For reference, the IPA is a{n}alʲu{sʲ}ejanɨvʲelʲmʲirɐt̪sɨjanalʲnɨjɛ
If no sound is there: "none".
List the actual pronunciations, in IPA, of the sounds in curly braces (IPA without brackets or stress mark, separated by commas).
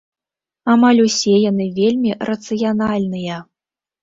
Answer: m, sʲ